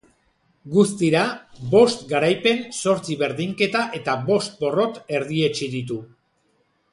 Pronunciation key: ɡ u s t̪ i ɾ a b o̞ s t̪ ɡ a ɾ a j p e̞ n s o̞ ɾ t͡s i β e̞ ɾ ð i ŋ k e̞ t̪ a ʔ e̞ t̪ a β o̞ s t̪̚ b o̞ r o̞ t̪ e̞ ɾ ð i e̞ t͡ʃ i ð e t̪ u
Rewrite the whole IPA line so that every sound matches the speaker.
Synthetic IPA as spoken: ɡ u s t̪ i ɾ a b o̞ s t̪ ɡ a ɾ a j p e̞ n s o̞ ɾ t͡s i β e̞ ɾ ð i ŋ k e̞ t̪ a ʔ e̞ t̪ a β o̞ s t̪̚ b o̞ r o̞ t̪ e̞ ɾ ð i e̞ t͡ʃ i ð i t̪ u